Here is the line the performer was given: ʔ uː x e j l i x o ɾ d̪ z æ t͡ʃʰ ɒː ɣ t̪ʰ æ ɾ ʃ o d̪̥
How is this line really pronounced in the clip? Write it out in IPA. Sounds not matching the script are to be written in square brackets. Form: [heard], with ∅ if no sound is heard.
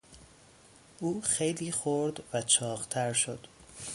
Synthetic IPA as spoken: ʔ uː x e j l [iː] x o ɾ d̪ [v] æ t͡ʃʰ ɒː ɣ t̪ʰ æ ɾ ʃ o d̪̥